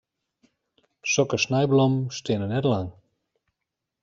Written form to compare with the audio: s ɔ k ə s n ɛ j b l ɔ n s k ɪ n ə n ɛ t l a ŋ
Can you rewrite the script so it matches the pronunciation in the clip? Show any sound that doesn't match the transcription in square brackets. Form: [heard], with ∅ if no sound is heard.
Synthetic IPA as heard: s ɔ k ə s n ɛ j b l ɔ [m] s [t] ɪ n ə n ɛ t l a ŋ